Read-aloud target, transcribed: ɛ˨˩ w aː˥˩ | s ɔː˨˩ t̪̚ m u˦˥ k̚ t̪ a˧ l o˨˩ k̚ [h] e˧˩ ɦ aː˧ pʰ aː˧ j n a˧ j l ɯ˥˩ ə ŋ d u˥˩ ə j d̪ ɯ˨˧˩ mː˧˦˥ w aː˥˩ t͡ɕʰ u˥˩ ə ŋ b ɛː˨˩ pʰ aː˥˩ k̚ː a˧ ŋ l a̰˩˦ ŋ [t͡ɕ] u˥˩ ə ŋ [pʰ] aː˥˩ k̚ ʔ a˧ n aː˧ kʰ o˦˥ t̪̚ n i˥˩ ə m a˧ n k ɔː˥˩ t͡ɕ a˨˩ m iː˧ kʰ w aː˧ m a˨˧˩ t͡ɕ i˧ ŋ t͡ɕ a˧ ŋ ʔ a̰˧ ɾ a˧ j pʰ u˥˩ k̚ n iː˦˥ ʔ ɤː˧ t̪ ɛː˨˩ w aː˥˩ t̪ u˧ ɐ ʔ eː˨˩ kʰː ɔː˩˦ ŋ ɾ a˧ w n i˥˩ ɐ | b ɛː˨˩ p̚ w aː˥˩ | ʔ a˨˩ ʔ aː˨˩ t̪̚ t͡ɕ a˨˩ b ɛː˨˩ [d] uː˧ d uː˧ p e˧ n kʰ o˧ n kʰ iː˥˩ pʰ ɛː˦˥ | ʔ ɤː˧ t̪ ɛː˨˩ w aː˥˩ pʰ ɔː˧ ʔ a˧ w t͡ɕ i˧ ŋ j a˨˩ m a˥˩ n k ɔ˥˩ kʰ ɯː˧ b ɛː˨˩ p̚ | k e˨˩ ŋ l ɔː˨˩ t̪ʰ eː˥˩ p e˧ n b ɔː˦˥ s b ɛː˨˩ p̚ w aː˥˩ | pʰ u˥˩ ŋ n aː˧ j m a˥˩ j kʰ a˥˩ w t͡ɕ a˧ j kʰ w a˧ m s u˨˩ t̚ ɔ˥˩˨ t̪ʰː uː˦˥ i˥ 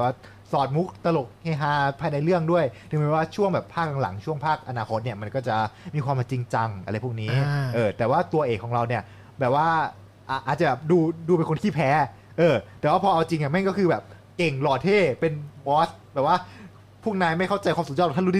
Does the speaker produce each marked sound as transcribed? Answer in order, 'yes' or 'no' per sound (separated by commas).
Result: yes, no, yes, yes